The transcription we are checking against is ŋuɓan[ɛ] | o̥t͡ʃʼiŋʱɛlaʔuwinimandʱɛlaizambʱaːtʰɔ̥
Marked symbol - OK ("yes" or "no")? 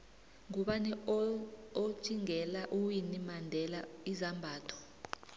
yes